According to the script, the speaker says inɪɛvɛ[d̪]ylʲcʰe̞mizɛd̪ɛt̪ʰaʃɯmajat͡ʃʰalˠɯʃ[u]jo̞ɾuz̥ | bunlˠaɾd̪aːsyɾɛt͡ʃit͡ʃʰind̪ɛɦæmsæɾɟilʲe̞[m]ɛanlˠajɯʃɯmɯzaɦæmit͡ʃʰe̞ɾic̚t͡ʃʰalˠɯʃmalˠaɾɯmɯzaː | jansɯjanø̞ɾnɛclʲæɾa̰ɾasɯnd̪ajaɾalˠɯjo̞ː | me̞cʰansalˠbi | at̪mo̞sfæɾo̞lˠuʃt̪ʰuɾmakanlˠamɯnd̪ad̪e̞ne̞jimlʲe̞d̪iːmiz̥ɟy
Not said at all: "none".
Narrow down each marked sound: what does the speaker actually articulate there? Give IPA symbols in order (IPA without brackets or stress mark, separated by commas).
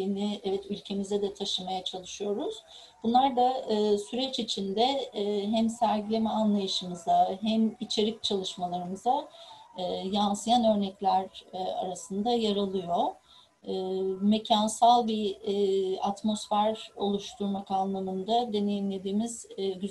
t̪, ɯ, m